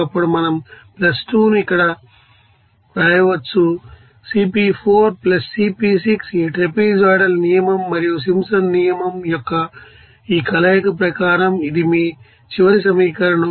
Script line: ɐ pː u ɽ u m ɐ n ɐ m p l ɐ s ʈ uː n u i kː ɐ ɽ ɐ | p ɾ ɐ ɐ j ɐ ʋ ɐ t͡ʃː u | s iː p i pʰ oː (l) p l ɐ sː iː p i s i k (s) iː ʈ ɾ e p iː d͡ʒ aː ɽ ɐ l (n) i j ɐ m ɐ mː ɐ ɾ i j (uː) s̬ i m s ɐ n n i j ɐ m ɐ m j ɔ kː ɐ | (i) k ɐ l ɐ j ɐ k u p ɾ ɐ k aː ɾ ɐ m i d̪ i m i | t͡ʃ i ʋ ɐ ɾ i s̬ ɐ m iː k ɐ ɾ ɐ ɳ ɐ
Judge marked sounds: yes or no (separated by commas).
no, yes, yes, no, no